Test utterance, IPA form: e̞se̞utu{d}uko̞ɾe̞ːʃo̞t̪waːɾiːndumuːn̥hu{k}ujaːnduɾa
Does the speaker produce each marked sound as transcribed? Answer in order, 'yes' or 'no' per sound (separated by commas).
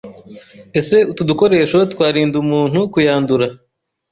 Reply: yes, yes